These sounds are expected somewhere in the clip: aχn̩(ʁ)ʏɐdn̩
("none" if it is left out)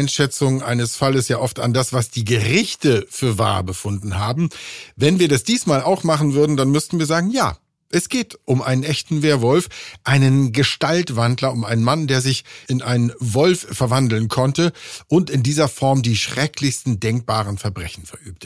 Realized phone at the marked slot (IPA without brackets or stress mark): v